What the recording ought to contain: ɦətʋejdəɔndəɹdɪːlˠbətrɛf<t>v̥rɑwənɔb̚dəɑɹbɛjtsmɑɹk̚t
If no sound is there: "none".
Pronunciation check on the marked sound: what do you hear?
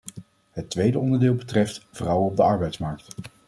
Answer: t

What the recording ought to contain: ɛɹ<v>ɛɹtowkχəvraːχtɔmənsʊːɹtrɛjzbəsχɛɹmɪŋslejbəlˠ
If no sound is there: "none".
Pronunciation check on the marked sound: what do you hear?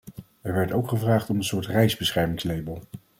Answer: ʋ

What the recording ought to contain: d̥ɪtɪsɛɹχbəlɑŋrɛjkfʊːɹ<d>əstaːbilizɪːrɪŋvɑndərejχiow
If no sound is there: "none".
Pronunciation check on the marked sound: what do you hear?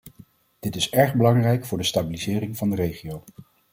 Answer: d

